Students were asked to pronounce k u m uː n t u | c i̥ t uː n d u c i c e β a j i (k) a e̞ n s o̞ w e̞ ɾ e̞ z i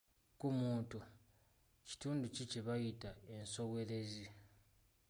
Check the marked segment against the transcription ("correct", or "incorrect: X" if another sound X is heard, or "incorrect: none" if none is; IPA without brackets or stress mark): incorrect: t